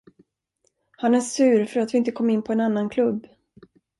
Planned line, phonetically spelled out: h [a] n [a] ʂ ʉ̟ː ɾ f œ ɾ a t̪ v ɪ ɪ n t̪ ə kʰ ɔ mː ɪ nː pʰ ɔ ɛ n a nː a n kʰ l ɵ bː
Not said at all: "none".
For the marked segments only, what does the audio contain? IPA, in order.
a, æ

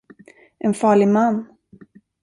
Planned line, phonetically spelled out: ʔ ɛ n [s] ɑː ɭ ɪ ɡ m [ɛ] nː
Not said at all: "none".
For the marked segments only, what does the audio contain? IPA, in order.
f, a

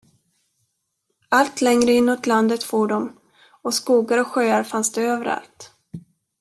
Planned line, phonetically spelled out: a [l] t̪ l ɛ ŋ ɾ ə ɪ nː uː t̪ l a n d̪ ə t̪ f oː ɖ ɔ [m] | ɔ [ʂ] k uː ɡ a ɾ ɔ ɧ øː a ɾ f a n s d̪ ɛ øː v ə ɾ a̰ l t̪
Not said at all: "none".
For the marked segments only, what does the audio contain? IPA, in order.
l, m, s

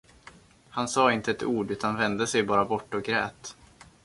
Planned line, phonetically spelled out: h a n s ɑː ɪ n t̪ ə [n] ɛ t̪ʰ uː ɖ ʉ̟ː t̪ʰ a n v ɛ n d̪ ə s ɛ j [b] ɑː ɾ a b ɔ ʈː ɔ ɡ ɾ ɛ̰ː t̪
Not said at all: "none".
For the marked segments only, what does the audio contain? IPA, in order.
none, b

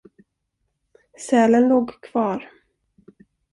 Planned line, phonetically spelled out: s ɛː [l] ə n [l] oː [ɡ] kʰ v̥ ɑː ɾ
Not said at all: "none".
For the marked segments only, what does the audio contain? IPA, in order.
l, l, ɡ

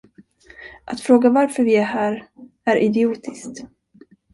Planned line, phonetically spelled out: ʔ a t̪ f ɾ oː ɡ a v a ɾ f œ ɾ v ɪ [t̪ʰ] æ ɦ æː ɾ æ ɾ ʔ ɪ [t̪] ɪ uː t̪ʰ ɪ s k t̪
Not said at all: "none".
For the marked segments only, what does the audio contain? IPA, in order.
none, d̪

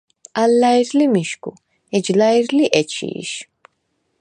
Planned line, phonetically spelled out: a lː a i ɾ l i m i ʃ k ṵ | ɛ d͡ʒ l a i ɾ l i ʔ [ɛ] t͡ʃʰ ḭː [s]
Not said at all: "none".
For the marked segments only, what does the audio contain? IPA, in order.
ɛ, ʃ

